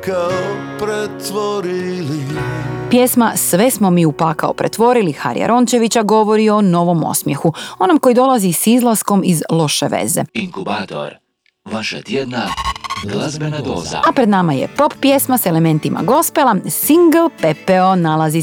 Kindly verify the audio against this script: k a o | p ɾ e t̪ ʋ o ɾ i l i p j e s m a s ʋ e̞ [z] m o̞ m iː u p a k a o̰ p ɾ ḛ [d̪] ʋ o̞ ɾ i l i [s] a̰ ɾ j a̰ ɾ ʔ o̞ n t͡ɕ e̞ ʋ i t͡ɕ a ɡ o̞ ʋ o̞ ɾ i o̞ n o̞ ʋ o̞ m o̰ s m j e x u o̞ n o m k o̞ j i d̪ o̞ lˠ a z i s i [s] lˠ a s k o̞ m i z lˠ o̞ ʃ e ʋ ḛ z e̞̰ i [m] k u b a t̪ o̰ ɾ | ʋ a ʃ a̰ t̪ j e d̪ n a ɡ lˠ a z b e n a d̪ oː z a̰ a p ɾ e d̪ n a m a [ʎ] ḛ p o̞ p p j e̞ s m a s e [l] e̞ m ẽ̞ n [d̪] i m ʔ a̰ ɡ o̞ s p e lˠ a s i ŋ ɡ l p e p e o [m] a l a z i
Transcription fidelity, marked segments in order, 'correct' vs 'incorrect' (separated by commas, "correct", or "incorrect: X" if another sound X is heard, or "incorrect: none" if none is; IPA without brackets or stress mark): incorrect: s, incorrect: t̪, incorrect: x, incorrect: z, incorrect: ŋ, incorrect: j, correct, incorrect: t̪, incorrect: n